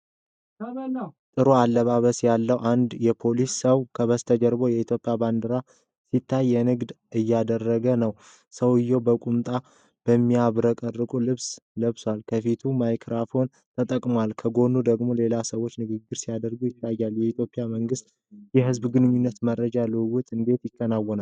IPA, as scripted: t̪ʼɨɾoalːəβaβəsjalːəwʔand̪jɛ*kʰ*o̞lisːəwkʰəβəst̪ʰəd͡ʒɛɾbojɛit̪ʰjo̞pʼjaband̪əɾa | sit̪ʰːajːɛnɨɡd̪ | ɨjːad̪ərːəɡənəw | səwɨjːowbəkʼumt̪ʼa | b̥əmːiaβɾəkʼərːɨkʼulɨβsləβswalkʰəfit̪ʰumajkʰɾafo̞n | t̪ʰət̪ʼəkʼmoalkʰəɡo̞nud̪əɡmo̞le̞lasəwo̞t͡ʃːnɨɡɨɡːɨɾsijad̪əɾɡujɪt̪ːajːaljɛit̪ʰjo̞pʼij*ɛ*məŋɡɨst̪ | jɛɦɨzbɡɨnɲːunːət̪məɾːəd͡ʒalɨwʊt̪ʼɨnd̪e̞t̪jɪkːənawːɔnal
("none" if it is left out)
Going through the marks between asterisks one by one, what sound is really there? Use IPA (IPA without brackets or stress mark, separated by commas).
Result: pʰ, a